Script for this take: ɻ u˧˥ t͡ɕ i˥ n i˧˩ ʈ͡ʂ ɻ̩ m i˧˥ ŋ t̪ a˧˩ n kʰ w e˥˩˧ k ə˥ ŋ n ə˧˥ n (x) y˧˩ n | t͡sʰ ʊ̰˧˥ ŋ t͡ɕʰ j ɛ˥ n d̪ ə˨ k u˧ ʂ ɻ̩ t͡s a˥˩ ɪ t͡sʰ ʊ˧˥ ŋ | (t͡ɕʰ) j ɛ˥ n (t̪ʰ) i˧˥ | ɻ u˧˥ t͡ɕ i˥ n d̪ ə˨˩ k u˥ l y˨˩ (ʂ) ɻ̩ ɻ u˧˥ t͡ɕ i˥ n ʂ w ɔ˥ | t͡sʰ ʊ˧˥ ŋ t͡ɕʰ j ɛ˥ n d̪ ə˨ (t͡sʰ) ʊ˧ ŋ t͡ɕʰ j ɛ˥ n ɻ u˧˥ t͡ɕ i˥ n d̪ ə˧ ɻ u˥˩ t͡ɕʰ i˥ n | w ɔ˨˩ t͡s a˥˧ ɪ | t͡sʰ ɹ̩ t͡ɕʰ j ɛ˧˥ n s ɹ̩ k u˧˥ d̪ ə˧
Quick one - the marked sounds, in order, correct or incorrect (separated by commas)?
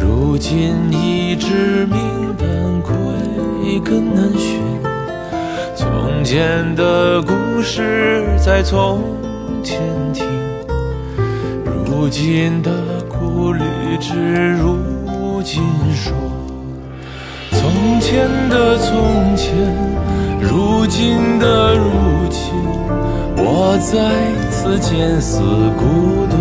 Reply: incorrect, correct, correct, incorrect, correct